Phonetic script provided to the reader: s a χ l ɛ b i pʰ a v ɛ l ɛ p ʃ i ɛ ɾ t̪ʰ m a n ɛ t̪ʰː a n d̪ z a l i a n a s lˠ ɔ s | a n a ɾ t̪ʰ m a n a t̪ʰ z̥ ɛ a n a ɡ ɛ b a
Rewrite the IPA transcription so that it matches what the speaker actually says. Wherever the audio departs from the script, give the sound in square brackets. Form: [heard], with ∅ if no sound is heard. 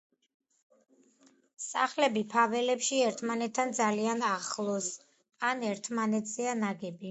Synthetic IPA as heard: s a χ l ɛ b i pʰ a v ɛ l ɛ p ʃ i ɛ ɾ t̪ʰ m a n ɛ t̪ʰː a n d̪ z a l i a n a [χ] lˠ ɔ s | a n [ɛ] ɾ t̪ʰ m a n [ɛ] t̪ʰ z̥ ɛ a n a ɡ ɛ b [i]